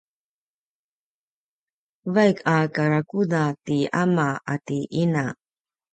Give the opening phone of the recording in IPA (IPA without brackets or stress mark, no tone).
v